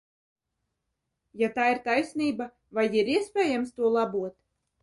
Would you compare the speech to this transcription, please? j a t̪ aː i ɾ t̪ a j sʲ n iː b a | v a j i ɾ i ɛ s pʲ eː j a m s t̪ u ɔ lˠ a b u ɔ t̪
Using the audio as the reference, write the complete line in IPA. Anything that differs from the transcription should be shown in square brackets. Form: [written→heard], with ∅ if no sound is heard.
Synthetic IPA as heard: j a t̪ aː i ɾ t̪ a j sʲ n iː b a | v a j i ɾ i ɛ s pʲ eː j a m s t̪ u ɔ lˠ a b u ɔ t̪